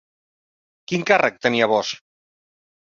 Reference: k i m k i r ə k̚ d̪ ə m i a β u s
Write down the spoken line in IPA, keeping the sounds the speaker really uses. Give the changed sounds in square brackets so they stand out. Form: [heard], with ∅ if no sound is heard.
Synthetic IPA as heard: k i [ŋ] k [a] r ə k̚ [t̪] ə [n] i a β [ɔ] s